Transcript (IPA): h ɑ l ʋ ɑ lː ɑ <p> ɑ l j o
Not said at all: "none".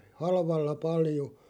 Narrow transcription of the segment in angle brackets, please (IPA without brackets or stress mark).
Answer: p